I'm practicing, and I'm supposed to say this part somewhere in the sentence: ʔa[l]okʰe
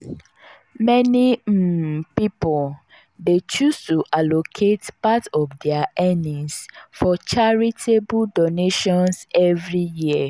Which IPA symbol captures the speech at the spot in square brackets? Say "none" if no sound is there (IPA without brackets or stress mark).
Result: l